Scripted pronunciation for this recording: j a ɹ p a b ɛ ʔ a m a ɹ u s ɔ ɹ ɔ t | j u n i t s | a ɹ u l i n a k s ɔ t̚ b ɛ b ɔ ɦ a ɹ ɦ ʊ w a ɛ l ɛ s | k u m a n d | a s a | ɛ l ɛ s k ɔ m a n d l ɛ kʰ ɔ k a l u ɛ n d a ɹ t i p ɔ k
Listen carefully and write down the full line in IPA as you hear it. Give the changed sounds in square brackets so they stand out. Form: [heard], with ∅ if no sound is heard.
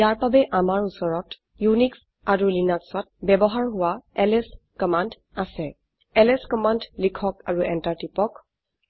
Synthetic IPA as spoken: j a ɹ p a b ɛ ʔ a m a ɹ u s ɔ ɹ ɔ t | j u n i [k] s | a ɹ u l i n a k s ɔ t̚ b ɛ b ɔ ɦ a ɹ ɦ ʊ w a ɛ l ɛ s | k [ɔ] m a n d | a s [ɛ] | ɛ l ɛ s k ɔ m a n d l [i] kʰ ɔ k a [ɹ] u ɛ n [t] a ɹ t i p ɔ k